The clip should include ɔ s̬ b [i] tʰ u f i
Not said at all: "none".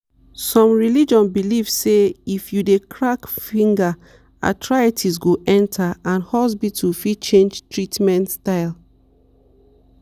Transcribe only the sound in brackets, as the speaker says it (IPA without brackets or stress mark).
i